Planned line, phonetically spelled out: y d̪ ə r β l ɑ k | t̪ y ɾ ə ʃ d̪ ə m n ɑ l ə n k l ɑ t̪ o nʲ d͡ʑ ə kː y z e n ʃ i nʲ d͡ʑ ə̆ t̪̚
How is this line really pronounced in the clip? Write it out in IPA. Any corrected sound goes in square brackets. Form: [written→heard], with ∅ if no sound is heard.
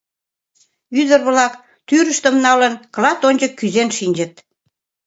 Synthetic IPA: y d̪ ə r β l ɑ k | t̪ y ɾ ə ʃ [d̪→t̪] ə m n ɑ l ə n k l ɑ t̪ o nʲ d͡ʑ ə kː y z e n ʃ i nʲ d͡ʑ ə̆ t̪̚